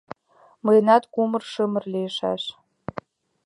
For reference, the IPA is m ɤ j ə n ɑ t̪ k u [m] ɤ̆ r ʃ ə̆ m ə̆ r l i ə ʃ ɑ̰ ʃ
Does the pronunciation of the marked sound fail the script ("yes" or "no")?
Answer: no